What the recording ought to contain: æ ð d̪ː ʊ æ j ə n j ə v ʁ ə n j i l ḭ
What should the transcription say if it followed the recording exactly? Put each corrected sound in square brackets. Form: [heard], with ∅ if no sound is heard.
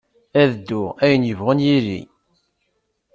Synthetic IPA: æ ð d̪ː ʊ æ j ə n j ə v ʁ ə n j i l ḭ

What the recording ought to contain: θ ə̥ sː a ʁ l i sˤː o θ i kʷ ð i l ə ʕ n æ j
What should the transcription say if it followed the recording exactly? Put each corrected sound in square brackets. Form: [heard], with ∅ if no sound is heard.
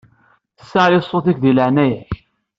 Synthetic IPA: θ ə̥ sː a [ʕ] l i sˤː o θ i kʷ ð i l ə ʕ n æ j

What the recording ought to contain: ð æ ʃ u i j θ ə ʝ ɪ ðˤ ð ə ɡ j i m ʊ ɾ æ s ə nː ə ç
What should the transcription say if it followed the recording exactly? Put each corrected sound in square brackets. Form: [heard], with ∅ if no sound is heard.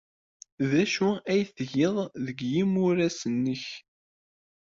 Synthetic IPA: ð æ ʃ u [æ] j θ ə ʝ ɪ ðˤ ð ə ɡ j i m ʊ ɾ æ s ə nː ə ç

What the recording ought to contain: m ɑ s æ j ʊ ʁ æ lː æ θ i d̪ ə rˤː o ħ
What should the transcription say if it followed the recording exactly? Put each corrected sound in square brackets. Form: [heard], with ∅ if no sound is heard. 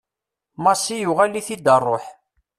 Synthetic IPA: m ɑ s [i] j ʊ ʁ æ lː [i] θ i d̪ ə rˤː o ħ

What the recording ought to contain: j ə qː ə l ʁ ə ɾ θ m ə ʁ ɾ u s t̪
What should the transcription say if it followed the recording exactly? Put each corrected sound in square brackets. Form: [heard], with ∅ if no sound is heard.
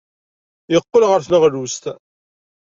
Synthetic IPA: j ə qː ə l ʁ ə ɾ θ [n] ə ʁ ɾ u s t̪

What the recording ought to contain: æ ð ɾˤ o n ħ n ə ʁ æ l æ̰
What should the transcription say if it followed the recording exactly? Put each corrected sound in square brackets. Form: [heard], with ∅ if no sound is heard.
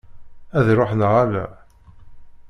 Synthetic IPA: æ ð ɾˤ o [∅] ħ n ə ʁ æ l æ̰

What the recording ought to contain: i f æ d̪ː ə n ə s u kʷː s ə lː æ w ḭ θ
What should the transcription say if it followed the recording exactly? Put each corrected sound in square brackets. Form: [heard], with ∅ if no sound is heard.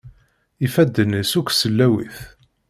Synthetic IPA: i f æ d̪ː ə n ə s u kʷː s ə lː æ w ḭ θ

